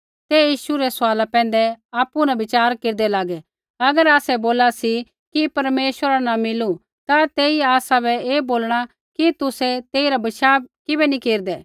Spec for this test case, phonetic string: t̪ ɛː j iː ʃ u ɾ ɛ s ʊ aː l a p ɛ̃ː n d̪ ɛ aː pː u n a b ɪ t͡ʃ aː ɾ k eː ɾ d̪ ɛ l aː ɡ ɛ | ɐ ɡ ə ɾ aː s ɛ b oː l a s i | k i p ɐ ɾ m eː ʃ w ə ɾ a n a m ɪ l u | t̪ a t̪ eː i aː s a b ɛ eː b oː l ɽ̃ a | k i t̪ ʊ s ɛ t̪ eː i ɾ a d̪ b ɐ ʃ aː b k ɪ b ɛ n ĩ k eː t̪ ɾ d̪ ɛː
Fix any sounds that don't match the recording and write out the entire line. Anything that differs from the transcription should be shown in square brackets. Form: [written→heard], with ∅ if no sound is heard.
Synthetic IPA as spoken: t̪ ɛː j iː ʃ u ɾ ɛ s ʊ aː l a p ɛ̃ː n d̪ ɛ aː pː u n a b ɪ t͡ʃ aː ɾ k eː ɾ d̪ ɛ l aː ɡ ɛ | ɐ ɡ ə ɾ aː s ɛ b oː l a s i | k i p ɐ ɾ m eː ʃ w ə ɾ a n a m ɪ l u | t̪ a t̪ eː i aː s a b ɛ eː b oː l ɽ̃ a | k i t̪ ʊ s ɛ t̪ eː i ɾ a [d̪→∅] b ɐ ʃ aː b k ɪ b ɛ n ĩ k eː [t̪→∅] ɾ d̪ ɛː